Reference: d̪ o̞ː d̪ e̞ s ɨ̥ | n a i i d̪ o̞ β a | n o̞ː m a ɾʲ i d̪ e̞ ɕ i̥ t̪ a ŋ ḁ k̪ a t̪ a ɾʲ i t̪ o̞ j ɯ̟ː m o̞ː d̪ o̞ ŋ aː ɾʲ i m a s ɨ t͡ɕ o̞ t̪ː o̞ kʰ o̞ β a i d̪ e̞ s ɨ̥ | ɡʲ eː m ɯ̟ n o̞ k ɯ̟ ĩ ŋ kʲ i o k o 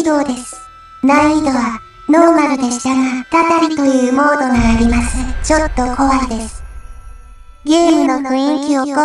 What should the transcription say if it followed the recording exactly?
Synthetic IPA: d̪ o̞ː d̪ e̞ s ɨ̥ | n a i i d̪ o̞ β a | n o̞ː m a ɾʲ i d̪ e̞ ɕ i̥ t̪ a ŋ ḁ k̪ a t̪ a ɾʲ i t̪ o̞ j ɯ̟ː m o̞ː d̪ o̞ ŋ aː ɾʲ i m a s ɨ t͡ɕ o̞ t̪ː o̞ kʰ o̞ β a i d̪ e̞ s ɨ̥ | ɡʲ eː m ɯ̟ n o̞ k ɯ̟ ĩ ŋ kʲ i o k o